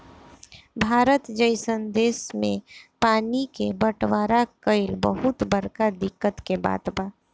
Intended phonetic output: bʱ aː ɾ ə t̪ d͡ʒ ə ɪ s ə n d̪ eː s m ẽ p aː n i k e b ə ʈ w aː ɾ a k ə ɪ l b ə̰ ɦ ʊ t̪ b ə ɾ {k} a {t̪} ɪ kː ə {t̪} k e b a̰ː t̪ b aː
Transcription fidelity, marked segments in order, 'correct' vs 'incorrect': correct, incorrect: d̪, correct

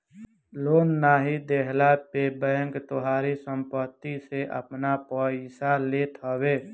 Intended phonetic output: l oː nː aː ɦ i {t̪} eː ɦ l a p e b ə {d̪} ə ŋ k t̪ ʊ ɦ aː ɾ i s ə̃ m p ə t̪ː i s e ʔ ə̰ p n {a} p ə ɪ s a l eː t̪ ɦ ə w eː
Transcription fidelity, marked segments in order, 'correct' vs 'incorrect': incorrect: d̪, incorrect: none, correct

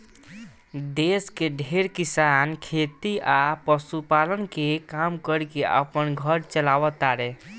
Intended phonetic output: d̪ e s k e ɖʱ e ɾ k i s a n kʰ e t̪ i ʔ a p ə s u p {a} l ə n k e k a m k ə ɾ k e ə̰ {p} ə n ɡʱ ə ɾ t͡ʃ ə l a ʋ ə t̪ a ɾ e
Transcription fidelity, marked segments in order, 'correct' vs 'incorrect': correct, correct

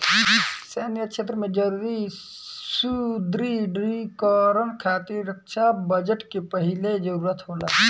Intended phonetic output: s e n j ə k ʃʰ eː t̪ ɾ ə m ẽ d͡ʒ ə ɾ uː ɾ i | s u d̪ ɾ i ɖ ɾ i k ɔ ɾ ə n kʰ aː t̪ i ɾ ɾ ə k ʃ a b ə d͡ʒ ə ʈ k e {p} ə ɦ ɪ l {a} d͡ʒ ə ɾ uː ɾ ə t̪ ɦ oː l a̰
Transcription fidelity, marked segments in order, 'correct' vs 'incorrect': correct, incorrect: e

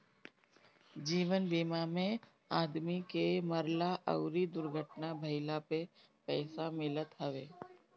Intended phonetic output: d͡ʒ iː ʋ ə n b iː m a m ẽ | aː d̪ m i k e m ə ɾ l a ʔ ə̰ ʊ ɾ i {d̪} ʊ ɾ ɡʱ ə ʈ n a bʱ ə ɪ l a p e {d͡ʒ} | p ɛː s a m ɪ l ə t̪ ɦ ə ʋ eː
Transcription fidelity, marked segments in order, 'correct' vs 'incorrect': correct, incorrect: none

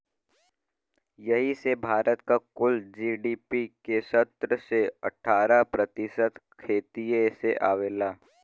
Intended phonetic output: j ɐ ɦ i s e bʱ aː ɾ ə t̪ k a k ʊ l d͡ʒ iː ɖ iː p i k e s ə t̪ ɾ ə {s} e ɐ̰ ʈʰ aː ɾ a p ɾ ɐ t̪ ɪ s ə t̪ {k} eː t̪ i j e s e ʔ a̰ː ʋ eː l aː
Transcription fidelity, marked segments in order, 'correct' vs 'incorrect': correct, incorrect: kʰ

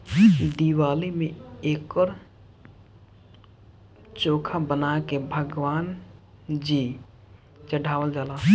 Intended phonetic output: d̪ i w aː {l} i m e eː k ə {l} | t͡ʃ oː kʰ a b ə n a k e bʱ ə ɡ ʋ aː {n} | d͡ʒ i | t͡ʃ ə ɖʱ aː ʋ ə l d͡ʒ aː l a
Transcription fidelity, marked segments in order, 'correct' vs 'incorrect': correct, incorrect: ɾ, correct

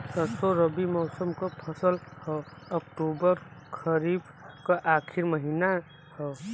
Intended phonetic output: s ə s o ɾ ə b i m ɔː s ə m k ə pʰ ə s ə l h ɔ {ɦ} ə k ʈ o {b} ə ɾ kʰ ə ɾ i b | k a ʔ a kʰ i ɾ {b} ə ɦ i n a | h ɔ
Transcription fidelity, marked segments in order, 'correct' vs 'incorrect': incorrect: none, correct, incorrect: m

